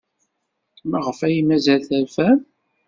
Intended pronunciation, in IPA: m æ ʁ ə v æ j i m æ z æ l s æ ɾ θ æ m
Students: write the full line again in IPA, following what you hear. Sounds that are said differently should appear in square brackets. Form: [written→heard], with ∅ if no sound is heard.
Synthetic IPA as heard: m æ ʁ ə [v→f] æ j i m æ z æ l [s→θ] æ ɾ [θ→f] æ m